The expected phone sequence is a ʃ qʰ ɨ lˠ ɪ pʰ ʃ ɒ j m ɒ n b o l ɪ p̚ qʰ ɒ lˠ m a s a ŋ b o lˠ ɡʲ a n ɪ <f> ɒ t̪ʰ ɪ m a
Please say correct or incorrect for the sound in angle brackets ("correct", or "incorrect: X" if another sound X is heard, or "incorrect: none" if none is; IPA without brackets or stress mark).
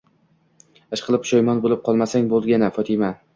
correct